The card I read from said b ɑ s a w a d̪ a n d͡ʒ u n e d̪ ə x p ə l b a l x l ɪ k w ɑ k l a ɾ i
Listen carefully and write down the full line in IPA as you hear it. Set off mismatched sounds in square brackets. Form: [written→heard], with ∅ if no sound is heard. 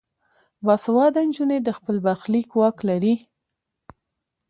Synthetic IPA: b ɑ s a w [a→ɑ] d̪ a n d͡ʒ u n e d̪ ə x p ə l b a [l→ɾ] x l [ɪ→i] k w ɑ k l a ɾ i